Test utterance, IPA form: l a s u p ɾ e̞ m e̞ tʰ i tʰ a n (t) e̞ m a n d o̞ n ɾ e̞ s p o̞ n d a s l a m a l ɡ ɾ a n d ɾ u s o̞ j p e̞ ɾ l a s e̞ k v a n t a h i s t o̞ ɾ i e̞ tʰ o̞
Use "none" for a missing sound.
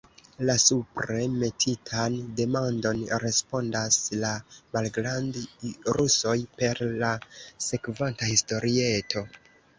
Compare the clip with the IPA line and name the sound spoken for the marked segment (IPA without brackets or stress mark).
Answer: d